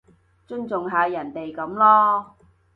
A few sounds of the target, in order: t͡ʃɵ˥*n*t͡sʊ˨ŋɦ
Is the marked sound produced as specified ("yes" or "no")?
yes